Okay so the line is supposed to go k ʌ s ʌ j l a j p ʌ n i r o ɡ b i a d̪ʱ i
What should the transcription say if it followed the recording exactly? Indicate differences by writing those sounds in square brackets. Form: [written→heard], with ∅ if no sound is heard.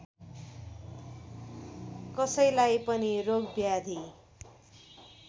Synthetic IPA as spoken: k ʌ s ʌ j l a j p ʌ n i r o ɡ b [i→j] a d̪ʱ i